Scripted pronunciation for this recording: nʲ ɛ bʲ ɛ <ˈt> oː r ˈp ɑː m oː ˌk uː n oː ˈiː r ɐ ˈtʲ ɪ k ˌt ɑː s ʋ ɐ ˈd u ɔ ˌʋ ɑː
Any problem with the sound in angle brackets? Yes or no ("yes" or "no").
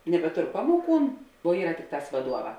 no